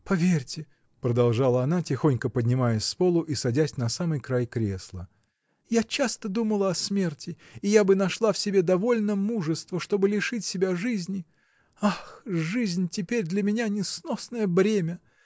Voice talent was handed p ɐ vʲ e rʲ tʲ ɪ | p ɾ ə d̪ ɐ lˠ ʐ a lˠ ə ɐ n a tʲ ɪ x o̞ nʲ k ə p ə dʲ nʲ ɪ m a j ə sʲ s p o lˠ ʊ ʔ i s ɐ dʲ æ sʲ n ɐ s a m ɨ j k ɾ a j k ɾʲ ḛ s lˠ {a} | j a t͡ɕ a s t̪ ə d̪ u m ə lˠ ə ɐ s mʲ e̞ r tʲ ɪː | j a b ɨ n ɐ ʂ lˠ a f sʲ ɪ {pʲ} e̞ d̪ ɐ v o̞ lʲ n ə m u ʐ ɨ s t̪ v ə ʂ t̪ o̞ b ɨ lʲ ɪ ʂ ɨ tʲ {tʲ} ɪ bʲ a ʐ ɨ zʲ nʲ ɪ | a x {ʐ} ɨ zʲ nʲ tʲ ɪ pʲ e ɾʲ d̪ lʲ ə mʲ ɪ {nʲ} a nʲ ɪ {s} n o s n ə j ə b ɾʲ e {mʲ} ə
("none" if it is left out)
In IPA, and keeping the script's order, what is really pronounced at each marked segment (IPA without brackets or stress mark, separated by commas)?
ə, bʲ, sʲ, ʐ, nʲ, s, mʲ